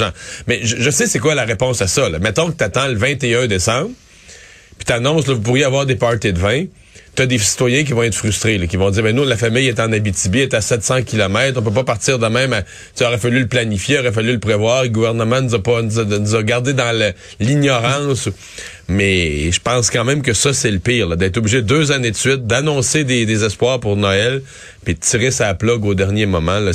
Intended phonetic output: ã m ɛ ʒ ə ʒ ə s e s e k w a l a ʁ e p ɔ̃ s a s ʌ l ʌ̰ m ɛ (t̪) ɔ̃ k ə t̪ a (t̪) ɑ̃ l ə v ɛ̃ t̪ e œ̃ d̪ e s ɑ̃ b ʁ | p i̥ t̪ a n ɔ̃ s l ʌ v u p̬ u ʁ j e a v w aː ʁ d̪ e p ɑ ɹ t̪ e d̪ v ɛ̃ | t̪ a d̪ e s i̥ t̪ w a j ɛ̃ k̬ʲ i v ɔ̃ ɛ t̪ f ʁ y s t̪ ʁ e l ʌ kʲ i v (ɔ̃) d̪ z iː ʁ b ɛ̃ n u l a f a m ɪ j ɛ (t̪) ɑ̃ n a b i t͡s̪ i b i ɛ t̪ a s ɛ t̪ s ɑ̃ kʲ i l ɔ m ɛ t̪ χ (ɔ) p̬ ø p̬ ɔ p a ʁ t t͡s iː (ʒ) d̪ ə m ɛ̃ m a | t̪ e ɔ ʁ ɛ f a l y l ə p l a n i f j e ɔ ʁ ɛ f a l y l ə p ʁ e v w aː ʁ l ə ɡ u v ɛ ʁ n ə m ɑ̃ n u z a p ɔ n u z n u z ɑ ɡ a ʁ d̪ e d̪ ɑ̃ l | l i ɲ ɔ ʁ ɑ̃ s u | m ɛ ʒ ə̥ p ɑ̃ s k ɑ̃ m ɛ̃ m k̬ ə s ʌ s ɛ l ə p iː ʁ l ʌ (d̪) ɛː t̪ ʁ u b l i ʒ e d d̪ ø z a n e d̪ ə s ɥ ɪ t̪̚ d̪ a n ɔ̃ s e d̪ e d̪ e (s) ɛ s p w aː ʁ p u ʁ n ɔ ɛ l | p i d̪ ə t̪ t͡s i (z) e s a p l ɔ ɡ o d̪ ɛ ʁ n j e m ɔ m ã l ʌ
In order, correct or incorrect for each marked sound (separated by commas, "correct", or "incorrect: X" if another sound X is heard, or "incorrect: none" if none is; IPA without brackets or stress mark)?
correct, correct, correct, correct, incorrect: ɔ̃, incorrect: ʁ, correct, incorrect: z, incorrect: ʁ